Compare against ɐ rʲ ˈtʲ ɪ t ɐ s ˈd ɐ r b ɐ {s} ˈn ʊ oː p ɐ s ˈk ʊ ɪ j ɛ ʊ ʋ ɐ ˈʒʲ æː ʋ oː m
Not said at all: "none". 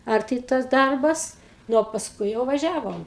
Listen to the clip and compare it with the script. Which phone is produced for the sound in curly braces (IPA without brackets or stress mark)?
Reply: s